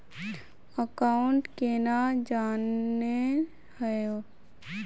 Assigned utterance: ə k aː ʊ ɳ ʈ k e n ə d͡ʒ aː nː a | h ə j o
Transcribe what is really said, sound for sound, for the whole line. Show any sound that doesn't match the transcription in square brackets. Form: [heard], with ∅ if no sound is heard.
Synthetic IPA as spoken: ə k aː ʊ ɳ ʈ k e n [a] d͡ʒ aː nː [e] | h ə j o